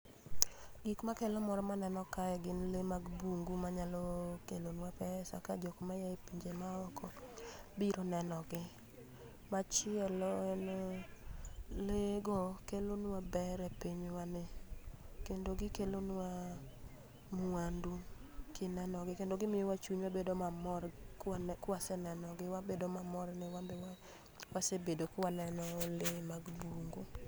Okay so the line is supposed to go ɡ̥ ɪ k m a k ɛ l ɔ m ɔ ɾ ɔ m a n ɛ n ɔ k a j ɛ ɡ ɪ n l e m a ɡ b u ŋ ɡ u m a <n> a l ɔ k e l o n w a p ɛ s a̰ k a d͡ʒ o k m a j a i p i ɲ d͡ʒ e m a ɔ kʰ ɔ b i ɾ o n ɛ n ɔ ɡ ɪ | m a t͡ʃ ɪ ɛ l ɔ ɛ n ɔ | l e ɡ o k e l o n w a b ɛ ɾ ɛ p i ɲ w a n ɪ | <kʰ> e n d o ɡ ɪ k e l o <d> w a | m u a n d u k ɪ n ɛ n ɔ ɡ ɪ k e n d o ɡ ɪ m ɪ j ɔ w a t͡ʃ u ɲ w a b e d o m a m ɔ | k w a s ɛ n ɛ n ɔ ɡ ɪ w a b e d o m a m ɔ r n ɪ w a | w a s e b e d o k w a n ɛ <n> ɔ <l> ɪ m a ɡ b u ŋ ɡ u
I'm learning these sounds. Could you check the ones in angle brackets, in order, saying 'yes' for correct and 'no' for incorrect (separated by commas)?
no, no, no, yes, yes